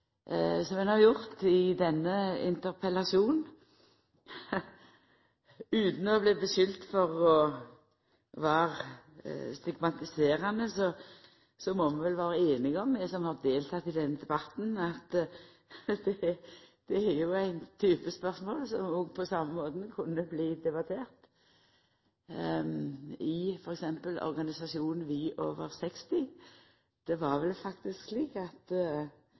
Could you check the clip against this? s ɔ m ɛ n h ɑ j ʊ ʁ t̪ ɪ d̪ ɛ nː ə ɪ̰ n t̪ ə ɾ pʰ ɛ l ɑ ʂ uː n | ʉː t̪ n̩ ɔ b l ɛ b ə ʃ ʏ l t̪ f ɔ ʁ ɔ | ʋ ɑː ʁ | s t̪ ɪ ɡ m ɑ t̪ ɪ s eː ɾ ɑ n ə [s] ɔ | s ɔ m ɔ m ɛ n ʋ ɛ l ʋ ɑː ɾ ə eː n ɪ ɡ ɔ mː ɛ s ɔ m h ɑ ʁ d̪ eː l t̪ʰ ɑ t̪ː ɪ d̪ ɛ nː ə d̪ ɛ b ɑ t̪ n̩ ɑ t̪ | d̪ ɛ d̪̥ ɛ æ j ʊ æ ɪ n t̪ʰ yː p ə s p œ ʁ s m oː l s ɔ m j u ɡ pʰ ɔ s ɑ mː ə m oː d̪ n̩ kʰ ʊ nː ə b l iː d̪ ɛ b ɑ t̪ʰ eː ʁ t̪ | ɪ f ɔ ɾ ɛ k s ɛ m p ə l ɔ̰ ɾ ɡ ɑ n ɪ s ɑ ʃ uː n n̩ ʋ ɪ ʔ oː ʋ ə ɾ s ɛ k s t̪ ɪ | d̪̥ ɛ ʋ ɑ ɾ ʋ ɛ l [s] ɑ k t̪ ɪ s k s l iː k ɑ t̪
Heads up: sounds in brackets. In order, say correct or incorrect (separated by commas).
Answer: correct, incorrect